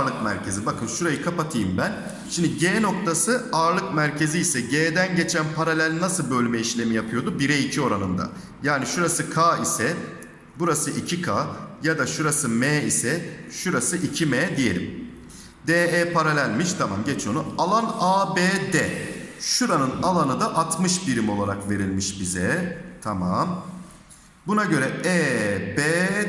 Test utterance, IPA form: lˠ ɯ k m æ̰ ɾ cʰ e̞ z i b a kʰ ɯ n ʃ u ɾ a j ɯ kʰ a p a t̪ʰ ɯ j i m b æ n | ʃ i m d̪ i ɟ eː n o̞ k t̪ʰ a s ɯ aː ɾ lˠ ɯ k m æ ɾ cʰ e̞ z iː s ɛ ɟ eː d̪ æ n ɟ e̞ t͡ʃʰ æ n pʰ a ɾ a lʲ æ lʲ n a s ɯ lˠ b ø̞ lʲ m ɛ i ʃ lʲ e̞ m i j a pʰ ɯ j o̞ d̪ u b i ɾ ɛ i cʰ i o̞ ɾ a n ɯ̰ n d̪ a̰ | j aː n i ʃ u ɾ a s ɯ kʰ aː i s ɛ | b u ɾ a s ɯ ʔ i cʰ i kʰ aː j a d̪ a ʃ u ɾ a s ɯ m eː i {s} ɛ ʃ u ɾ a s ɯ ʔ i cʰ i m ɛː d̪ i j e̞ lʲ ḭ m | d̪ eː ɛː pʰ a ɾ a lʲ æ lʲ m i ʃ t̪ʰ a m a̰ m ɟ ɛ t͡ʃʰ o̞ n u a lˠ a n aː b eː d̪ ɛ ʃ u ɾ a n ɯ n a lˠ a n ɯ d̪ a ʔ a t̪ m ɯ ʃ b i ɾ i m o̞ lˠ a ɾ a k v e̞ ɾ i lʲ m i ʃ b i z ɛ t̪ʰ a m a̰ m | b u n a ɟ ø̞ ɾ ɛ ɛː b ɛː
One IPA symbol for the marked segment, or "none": s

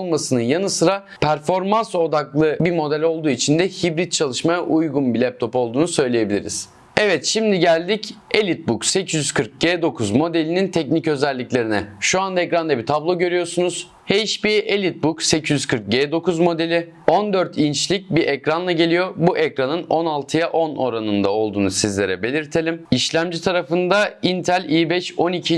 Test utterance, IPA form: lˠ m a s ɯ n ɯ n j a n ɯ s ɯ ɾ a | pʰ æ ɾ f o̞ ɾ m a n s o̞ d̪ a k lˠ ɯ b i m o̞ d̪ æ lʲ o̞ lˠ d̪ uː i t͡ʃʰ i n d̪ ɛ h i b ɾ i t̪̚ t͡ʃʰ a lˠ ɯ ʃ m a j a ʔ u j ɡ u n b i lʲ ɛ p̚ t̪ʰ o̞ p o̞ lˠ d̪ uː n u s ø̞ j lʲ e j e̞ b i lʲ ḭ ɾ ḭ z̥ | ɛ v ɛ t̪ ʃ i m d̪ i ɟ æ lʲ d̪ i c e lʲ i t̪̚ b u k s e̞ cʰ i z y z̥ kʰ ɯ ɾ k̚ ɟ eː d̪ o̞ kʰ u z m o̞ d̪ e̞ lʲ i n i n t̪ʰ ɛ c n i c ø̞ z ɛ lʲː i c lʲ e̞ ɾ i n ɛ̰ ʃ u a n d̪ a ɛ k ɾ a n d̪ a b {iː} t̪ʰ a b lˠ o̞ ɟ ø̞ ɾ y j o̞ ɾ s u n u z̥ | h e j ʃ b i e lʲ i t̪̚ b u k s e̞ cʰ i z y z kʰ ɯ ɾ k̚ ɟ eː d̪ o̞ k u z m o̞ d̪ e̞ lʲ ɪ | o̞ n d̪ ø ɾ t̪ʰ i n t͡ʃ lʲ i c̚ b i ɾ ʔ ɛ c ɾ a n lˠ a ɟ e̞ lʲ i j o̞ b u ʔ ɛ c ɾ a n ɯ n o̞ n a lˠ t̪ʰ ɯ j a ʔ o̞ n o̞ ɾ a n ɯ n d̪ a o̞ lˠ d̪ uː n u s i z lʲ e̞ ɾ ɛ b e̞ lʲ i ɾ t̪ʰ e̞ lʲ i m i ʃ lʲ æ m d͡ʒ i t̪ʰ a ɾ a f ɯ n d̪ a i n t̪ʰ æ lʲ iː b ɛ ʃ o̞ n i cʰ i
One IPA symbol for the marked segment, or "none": i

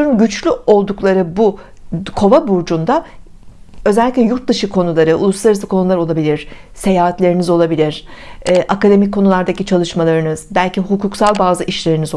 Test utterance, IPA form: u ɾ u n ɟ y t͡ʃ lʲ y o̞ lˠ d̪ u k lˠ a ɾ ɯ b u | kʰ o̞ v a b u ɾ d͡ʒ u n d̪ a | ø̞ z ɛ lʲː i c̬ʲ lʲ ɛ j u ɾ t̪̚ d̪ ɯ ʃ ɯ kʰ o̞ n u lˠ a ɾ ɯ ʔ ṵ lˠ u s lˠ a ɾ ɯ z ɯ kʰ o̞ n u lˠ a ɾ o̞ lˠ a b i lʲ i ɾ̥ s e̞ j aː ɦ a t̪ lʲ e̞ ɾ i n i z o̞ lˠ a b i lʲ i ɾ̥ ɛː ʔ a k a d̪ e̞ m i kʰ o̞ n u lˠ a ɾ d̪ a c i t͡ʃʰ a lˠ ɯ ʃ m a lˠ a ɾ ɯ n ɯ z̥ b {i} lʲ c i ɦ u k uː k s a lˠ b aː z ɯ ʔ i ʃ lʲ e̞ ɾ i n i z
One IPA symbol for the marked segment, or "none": æ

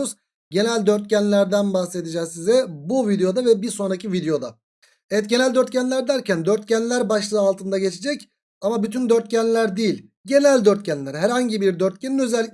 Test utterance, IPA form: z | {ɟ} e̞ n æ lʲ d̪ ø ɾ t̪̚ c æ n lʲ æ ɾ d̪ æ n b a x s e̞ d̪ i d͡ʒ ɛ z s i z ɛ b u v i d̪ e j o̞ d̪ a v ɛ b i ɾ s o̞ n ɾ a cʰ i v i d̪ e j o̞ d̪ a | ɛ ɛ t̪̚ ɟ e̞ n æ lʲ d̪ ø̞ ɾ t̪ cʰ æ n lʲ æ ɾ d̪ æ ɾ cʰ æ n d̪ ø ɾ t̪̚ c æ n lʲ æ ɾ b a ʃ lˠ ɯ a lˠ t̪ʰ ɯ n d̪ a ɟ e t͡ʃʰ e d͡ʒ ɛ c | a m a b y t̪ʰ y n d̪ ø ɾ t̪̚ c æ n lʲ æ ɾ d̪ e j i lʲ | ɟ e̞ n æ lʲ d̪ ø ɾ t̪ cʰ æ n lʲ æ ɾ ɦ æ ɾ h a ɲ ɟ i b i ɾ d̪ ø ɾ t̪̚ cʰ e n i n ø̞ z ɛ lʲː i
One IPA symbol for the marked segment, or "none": ɟ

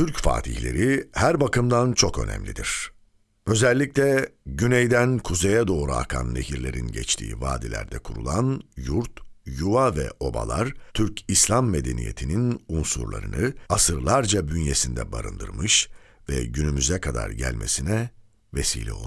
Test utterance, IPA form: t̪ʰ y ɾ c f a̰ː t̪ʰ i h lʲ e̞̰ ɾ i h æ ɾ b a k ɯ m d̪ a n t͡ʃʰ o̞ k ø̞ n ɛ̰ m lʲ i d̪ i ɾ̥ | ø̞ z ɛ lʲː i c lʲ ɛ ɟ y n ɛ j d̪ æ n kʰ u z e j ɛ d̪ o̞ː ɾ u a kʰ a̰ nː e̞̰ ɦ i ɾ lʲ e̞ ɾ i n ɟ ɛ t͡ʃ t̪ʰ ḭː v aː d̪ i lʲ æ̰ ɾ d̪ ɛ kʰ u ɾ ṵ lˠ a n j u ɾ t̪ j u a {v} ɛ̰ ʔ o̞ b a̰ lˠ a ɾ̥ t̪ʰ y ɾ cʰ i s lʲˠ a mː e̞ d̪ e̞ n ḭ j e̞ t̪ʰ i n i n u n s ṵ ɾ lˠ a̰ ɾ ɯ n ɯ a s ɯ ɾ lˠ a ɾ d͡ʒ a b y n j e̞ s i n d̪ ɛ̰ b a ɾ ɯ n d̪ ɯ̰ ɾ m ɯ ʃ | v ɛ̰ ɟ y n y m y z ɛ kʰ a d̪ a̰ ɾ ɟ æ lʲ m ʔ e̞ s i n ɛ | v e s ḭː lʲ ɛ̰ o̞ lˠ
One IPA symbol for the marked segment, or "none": v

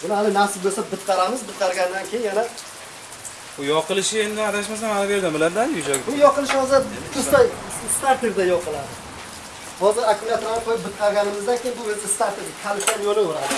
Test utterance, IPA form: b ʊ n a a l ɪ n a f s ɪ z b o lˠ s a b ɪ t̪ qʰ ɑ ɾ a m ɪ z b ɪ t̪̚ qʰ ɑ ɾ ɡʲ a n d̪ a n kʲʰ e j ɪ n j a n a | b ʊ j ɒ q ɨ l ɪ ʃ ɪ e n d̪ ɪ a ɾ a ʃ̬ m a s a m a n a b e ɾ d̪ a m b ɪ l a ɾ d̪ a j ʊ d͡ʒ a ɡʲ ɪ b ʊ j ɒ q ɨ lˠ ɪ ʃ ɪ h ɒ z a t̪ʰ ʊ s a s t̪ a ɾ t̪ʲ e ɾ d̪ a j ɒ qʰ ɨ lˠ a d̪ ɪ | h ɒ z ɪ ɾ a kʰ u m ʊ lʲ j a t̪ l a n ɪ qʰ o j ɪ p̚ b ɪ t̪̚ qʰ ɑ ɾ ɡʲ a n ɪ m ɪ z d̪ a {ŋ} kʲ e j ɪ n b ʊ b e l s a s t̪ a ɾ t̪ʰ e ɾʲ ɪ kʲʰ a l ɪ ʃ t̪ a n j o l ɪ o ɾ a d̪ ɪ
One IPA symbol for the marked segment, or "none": n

